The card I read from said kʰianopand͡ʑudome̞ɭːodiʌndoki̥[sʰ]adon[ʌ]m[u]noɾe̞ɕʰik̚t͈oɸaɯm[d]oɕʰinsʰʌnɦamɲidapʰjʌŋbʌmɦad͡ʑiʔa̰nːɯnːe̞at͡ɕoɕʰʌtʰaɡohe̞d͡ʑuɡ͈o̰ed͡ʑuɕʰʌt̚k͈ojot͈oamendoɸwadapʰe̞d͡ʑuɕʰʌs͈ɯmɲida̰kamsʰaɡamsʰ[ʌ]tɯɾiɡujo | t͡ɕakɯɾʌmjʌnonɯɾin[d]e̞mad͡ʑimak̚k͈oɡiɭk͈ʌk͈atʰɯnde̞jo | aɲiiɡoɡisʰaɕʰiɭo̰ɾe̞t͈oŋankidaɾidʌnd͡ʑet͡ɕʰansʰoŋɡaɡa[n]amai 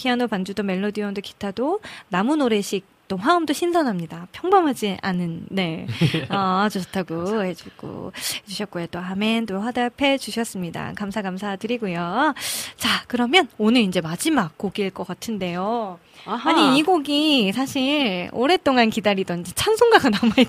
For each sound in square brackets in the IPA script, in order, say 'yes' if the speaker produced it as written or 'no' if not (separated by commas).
no, no, yes, yes, no, no, yes